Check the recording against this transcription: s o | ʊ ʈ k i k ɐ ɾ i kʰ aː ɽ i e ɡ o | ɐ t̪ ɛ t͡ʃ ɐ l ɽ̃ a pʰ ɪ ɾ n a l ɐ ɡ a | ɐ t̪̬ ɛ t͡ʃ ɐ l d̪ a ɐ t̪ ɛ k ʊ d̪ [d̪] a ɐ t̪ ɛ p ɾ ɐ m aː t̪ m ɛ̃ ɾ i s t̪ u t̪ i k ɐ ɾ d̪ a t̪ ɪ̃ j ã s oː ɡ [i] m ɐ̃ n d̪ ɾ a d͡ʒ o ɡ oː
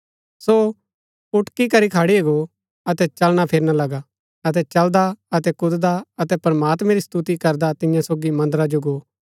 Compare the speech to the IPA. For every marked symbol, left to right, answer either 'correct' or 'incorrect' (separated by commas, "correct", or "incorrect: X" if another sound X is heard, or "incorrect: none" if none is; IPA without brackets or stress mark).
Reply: correct, correct